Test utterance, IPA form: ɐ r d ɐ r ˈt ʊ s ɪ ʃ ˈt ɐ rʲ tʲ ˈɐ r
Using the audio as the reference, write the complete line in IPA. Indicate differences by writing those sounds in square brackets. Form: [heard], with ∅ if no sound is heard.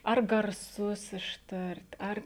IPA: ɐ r [ɡ] ɐ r [ˈs] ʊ s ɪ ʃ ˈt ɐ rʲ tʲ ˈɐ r